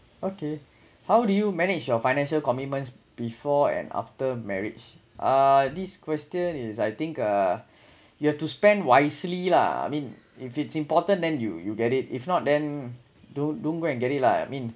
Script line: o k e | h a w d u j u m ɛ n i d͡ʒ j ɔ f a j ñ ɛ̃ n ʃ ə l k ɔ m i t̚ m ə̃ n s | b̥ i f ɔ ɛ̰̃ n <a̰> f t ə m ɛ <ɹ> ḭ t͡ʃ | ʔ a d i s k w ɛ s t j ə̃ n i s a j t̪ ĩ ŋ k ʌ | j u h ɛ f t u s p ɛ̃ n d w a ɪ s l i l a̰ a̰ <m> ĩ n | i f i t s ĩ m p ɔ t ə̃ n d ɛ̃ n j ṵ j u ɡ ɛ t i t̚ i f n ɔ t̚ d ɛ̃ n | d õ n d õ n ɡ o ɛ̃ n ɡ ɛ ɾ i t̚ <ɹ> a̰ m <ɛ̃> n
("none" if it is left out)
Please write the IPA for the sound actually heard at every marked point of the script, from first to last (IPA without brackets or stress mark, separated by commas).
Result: a̰, ɹ, m, l, ĩ